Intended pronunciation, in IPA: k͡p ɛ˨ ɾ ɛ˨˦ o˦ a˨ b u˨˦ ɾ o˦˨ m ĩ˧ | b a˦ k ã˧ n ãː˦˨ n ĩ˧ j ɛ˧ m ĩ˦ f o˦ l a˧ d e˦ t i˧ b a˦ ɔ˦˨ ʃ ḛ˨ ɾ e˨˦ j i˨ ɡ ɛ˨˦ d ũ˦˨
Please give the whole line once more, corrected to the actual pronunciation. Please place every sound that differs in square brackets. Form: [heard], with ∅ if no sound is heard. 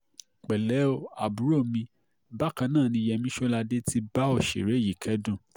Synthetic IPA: k͡p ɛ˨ [l] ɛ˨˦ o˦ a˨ b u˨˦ ɾ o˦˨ m ĩ˧ | b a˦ k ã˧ n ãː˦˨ n ĩ˧ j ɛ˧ m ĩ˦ [ʃ] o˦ l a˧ d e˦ t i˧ b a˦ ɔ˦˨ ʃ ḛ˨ ɾ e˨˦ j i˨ [k] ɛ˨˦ d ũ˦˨